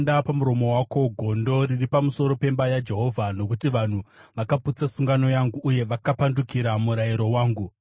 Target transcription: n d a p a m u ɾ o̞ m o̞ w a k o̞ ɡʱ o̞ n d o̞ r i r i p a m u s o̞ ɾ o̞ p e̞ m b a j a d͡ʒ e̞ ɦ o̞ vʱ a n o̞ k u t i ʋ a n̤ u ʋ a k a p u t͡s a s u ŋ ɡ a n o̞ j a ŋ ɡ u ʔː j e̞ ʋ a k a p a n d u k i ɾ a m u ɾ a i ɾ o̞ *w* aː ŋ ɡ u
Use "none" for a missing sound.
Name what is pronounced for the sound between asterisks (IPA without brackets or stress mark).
w